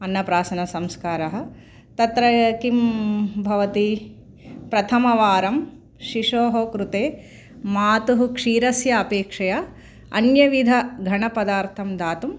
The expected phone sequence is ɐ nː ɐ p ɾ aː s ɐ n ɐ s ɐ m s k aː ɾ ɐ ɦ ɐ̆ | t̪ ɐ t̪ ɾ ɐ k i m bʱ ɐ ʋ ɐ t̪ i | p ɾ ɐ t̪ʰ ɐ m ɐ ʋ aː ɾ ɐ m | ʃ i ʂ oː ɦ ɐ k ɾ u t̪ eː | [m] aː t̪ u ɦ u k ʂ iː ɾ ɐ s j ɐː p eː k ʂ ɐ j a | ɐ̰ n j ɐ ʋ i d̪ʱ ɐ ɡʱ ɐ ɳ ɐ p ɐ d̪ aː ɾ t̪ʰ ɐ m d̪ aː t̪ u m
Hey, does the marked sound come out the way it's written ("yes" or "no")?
yes